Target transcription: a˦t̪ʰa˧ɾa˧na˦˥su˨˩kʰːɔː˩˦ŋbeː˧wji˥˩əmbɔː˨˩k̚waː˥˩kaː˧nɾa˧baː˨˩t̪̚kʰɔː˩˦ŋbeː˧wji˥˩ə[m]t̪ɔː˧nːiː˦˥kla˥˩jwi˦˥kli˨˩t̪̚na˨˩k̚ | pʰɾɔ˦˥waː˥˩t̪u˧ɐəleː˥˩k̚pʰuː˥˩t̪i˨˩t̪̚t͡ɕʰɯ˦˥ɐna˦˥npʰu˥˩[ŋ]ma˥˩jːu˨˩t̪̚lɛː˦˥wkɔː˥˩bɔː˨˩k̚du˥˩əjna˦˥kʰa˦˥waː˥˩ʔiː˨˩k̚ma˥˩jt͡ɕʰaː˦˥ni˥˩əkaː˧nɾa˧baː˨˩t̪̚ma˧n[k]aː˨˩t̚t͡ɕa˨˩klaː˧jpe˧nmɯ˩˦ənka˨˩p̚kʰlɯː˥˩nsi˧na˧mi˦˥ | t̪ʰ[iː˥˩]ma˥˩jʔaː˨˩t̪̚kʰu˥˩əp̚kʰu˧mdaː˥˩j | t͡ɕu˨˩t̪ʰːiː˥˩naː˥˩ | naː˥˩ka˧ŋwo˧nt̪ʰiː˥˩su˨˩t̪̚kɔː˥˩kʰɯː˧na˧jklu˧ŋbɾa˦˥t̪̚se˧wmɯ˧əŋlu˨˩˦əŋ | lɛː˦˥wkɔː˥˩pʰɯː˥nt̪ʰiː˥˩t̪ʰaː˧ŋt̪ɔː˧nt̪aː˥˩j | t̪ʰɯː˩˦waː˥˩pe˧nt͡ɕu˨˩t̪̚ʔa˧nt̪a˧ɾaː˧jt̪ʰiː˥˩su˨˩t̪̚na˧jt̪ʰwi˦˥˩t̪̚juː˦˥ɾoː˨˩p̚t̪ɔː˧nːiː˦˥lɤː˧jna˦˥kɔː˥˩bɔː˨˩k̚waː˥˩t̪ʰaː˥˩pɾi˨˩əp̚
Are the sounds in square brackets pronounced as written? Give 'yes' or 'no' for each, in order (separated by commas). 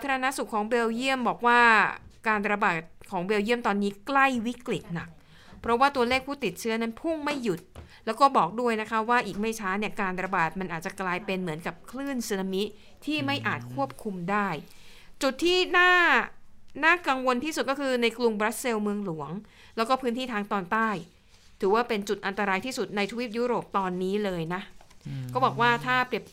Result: yes, yes, no, yes